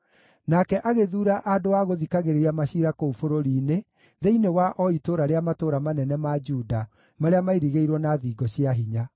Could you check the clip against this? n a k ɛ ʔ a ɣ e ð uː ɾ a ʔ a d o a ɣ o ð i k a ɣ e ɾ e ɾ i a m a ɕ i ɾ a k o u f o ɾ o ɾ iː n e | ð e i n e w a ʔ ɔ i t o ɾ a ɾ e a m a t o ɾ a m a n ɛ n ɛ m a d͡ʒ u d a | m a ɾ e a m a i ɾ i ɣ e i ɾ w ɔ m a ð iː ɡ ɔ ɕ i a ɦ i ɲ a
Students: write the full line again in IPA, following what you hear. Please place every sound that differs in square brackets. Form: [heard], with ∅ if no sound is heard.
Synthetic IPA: n a k ɛ ʔ a ɣ e ð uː ɾ a ʔ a d o a ɣ o ð i k a ɣ e ɾ e ɾ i a m a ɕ i ɾ a k o u f o ɾ o ɾ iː n e | ð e i n e w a ʔ ɔ i t o ɾ a ɾ e a m a t o ɾ a m a n ɛ n ɛ m a d͡ʒ u d a | m a ɾ e a m a i ɾ i ɣ e i ɾ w ɔ [n] a ð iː ɡ ɔ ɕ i a ɦ i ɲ a